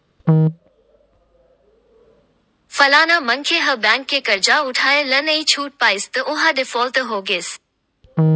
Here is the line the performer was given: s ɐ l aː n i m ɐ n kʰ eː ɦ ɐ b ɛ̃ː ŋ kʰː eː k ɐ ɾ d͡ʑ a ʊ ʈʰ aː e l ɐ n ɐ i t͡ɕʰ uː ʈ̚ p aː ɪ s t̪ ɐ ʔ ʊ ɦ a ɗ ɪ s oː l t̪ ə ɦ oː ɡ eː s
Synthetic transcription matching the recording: f ɐ l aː n a m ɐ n kʰ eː ɦ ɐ b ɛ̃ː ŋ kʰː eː k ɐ ɾ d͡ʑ a ʊ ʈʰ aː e l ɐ n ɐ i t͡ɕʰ uː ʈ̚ p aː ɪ s t̪ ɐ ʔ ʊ ɦ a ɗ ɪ f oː l t̪ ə ɦ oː ɡ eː s